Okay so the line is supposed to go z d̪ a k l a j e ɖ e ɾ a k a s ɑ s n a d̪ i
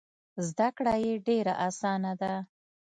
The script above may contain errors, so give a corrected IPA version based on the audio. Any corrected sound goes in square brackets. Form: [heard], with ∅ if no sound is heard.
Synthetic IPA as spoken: z d̪ a k [ɽ] a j e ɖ e ɾ a [ʔ] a s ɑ [∅] n a d̪ [a]